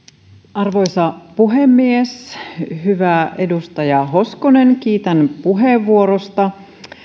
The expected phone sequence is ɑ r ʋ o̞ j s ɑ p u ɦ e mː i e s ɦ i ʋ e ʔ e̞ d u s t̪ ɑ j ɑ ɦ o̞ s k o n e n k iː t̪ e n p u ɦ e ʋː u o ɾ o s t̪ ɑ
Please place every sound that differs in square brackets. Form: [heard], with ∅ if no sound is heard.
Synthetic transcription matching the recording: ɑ r ʋ o̞ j s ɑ p u ɦ e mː i e s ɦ [y] ʋ [æ] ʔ e̞ d u s t̪ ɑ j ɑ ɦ o̞ s k o n e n k iː t̪ [æ] n p u ɦ e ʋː u o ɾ o s t̪ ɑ